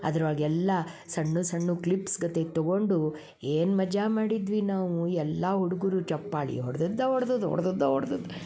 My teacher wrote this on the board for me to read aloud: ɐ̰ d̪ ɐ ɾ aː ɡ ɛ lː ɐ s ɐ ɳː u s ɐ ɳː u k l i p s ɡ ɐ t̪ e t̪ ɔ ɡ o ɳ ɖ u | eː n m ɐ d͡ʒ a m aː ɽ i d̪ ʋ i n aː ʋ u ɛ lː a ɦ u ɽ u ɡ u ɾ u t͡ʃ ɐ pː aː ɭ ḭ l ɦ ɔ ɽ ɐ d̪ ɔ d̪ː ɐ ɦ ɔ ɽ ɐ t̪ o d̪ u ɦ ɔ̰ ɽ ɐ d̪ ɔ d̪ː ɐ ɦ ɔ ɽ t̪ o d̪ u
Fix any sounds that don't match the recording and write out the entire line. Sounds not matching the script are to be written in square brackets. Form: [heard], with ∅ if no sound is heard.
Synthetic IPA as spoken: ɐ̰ d̪ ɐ ɾ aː ɡ ɛ lː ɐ s ɐ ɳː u s ɐ ɳː u k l i p s ɡ ɐ t̪ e t̪ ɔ ɡ o ɳ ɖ u | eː n m ɐ d͡ʒ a m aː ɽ i d̪ ʋ i n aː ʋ u ɛ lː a ɦ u ɽ u ɡ u ɾ u t͡ʃ ɐ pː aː ɭ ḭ [∅] ɦ ɔ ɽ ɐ d̪ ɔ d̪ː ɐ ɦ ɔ ɽ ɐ [d̪] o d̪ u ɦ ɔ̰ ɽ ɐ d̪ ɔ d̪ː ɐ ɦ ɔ ɽ [d̪] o d̪ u